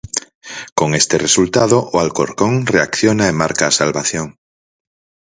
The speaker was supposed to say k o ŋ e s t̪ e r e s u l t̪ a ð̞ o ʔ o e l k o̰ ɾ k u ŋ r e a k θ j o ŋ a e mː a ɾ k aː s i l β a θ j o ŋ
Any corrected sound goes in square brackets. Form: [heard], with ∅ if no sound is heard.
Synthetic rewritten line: k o ŋ e s t̪ e r e s u l t̪ a ð̞ o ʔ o [a] l k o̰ ɾ k [o] ŋ r e a k θ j o [n] a e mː a ɾ k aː s [a] l β a θ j o ŋ